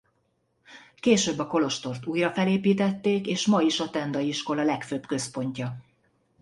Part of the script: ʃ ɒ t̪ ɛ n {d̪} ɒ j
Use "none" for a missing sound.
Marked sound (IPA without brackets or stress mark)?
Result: d̪